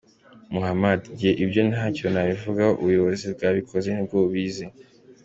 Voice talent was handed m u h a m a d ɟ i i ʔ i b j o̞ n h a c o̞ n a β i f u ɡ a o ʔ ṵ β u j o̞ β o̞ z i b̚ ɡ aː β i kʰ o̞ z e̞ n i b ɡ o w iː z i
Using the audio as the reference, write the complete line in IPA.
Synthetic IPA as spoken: m u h a m a d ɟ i e ʔ i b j o̞ n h a c o̞ n a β i v u ɡ a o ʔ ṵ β u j o̞ β o̞ z i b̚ ɡ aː β i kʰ o̞ z e̞ n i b ɡ o β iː z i